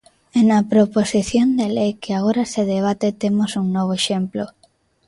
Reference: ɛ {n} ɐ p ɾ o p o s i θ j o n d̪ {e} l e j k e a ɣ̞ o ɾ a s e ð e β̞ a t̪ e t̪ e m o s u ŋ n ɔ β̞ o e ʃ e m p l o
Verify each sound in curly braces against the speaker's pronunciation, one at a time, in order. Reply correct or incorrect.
correct, correct

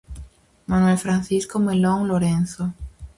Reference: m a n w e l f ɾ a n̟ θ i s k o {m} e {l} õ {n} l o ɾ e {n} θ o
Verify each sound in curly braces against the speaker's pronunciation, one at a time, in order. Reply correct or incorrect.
correct, correct, incorrect: ŋ, correct

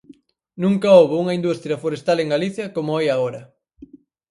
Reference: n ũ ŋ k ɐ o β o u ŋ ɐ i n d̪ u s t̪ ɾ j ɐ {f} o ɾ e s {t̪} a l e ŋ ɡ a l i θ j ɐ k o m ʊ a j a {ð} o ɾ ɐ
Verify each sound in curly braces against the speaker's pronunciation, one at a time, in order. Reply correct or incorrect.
correct, correct, incorrect: ɣ

